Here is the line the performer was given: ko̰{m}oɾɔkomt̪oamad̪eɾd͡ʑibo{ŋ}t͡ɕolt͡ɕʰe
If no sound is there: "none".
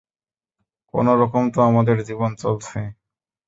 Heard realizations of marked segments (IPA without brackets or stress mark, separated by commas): n, n